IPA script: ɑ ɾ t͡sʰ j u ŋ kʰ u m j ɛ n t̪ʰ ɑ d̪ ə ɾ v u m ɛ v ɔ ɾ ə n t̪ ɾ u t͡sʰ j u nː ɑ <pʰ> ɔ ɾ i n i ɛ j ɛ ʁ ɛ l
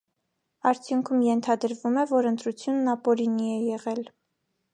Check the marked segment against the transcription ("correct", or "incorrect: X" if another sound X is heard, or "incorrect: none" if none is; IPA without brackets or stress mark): incorrect: p